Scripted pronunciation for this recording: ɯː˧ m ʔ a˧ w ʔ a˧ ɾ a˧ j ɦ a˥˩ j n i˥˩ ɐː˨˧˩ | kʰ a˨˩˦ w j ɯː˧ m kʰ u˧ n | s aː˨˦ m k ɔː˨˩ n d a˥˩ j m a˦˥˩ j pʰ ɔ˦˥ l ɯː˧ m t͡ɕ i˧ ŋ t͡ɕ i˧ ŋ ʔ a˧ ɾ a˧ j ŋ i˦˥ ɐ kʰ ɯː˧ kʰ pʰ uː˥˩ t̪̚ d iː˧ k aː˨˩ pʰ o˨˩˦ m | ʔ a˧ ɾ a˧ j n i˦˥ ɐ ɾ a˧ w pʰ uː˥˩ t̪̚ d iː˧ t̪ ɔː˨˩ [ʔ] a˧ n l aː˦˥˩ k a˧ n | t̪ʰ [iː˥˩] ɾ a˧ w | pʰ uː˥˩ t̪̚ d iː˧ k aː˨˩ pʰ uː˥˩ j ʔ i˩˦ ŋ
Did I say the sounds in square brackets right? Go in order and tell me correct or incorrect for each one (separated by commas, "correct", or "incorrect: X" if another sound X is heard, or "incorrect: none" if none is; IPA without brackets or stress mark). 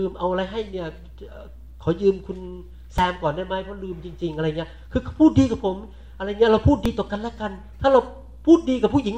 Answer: incorrect: k, incorrect: aː˥˩